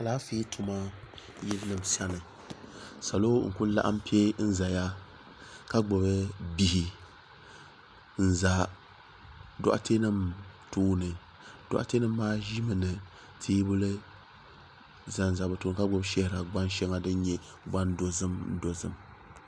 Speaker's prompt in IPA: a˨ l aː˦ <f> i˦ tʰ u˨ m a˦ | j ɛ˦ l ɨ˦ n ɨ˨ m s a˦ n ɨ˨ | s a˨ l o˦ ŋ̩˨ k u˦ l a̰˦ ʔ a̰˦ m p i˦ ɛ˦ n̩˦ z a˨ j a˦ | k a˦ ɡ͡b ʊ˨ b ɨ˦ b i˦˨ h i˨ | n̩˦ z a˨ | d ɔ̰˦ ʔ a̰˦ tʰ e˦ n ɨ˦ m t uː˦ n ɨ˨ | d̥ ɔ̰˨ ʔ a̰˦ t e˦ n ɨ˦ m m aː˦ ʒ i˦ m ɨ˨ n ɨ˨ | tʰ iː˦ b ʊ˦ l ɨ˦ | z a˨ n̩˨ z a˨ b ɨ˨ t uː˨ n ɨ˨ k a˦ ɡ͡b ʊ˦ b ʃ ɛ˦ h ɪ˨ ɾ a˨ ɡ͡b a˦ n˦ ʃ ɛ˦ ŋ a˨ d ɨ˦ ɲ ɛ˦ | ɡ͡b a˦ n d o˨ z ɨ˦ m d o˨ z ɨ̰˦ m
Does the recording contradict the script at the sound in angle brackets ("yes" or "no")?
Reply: no